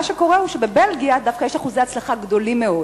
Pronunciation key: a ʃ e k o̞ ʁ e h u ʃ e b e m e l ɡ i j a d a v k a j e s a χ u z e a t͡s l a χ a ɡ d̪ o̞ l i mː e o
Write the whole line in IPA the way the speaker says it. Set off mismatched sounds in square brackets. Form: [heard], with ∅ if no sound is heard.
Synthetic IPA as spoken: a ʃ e k o̞ ʁ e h u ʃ e b e [b] e l ɡ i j a d a [f] k a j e [ʃ] a χ u z e a t͡s l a χ a ɡ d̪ o̞ l i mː e o